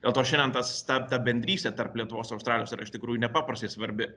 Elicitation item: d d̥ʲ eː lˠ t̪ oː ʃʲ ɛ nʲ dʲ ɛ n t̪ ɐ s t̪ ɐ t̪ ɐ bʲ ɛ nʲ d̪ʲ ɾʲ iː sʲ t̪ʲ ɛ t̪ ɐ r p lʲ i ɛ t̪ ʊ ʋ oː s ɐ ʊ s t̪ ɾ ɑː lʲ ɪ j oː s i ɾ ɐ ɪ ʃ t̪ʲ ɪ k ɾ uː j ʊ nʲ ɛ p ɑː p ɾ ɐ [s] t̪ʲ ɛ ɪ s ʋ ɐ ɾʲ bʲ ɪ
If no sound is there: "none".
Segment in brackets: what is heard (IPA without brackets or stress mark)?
s